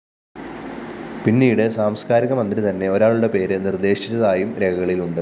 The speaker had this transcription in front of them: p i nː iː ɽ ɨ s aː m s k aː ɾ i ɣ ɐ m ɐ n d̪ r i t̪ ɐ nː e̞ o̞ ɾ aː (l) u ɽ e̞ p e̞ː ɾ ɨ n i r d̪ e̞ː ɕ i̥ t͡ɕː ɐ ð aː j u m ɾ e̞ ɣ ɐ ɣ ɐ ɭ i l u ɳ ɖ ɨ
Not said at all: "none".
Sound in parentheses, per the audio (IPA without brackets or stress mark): ɭ